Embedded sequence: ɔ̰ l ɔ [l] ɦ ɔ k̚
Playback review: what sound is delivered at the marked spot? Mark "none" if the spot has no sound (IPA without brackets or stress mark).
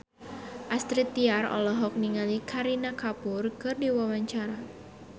none